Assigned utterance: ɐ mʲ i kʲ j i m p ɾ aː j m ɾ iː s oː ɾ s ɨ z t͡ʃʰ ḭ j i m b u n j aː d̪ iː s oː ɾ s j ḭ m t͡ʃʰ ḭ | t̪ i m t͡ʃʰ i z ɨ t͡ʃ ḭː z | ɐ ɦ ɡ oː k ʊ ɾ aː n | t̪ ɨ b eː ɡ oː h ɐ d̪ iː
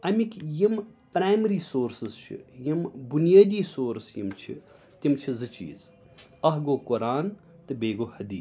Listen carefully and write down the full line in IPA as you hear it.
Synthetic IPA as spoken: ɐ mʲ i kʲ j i m p ɾ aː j m ɾ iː s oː ɾ s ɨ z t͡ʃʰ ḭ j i m b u n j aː d̪ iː s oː ɾ s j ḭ m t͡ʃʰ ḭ | t̪ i m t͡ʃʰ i z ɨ t͡ʃ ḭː z | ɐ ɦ ɡ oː k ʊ ɾ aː n | t̪ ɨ b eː ɡ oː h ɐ d̪ iː